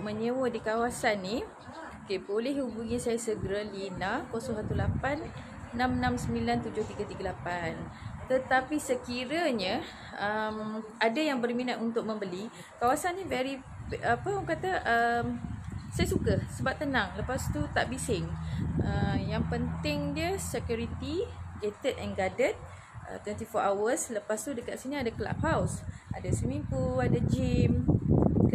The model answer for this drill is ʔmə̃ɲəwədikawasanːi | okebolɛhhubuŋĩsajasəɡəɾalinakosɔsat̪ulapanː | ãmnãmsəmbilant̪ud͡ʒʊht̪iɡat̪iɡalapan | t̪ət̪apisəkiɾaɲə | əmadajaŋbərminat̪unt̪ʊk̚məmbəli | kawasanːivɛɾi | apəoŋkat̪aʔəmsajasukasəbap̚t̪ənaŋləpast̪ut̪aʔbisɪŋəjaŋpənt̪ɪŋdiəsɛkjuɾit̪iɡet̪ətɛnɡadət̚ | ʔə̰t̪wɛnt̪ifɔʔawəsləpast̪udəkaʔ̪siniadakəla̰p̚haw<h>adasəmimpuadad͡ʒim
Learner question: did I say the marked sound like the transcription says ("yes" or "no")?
no